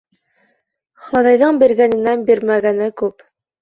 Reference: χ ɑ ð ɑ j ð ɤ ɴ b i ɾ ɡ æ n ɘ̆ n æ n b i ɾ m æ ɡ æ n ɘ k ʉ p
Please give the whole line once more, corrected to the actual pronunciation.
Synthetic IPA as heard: χ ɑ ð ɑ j ð ɤ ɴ b i ɾ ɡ æ n ɘ̆ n æ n b i ɾ m æ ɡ æ n ɘ k ʉ p